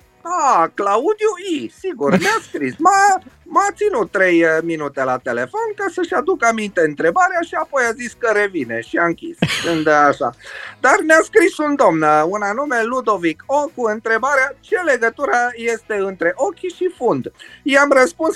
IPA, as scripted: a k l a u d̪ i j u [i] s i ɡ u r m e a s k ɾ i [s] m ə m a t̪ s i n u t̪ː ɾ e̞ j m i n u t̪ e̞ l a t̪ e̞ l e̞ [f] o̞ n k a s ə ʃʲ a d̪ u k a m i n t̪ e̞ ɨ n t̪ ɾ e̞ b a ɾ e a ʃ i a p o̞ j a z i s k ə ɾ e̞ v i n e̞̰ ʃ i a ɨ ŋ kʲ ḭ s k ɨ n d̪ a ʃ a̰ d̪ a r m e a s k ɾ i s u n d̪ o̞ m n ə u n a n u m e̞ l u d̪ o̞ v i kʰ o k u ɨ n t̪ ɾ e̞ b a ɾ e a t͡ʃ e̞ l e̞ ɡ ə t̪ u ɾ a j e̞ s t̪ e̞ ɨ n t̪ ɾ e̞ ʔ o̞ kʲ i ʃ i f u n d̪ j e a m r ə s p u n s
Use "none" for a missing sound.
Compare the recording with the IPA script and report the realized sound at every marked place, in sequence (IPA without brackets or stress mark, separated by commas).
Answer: i, s, f